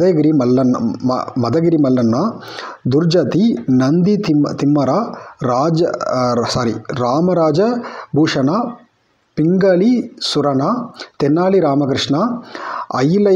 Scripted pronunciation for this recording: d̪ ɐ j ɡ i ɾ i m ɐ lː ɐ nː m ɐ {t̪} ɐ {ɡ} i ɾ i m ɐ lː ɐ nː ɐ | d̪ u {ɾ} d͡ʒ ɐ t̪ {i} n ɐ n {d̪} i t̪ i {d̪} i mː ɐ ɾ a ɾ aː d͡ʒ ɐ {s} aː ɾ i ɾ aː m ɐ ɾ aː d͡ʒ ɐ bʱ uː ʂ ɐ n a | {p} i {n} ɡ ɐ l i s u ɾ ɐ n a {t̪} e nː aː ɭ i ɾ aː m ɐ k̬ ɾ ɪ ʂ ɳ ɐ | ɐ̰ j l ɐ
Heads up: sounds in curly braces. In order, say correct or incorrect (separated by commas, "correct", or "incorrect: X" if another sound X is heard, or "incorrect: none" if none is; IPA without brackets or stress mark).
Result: incorrect: d̪, correct, correct, correct, correct, incorrect: t̪, correct, correct, incorrect: ŋ, correct